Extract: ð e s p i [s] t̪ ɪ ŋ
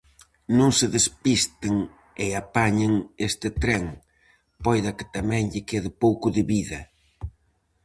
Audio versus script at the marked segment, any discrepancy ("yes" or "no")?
no